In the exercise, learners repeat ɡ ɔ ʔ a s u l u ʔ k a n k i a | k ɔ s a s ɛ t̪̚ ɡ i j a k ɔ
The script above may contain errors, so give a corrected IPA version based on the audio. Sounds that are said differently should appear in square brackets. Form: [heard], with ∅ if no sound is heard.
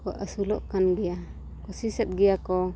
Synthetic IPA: [k] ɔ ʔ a s u l [ɔ] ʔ k a n [ɡ] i a | k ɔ s [i] s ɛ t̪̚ ɡ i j a k ɔ